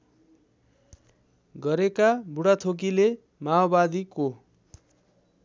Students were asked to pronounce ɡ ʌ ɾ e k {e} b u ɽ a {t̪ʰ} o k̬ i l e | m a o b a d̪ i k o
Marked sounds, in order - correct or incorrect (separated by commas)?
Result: incorrect, correct